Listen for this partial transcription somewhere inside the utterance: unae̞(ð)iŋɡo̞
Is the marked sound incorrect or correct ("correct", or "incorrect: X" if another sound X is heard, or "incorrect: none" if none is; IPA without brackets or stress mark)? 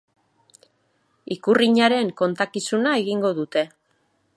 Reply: incorrect: ɣ